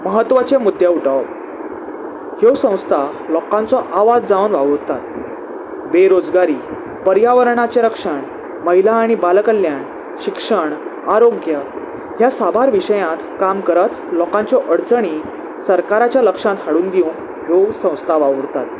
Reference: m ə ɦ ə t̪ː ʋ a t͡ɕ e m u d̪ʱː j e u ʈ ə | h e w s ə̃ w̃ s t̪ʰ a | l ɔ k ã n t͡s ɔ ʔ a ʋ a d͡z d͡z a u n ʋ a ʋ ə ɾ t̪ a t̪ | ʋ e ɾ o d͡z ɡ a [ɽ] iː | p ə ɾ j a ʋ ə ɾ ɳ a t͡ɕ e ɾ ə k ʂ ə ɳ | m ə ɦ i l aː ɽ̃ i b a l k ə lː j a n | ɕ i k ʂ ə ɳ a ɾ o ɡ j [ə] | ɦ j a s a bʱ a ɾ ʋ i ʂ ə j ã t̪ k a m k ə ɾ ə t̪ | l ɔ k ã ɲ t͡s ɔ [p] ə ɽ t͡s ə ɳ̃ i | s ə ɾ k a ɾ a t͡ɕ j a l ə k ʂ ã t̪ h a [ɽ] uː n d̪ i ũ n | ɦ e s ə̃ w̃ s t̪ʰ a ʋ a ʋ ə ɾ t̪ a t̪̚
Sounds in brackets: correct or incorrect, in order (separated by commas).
incorrect, correct, incorrect, correct